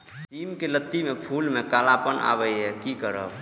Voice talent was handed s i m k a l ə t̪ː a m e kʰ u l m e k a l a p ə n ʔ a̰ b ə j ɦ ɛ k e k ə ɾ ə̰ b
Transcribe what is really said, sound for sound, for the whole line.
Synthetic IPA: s i m k e l ə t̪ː i m e pʰ u l m e k a l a p ə n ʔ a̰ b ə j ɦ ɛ k i k ə ɾ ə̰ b